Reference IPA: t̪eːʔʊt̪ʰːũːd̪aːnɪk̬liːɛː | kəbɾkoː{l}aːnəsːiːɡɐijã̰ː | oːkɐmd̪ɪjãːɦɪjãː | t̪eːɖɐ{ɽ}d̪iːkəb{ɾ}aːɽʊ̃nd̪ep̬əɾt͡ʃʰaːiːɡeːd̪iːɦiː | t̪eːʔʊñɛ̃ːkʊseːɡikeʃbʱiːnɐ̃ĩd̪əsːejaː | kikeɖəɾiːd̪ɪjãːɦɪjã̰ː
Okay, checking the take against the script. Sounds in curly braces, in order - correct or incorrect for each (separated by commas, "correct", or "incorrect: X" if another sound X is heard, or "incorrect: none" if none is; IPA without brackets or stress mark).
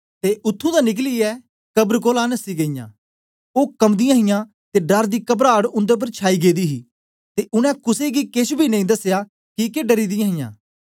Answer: correct, incorrect: ɾ, correct